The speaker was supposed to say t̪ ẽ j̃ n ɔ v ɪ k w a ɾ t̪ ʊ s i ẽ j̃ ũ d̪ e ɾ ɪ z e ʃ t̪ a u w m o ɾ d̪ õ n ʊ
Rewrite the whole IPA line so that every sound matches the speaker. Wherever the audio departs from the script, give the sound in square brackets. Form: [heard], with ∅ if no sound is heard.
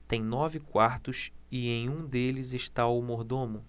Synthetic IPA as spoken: t̪ ẽ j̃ n ɔ v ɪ k w a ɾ t̪ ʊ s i ẽ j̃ ũ d̪ e [l] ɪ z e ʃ t̪ a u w m o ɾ d̪ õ [m] ʊ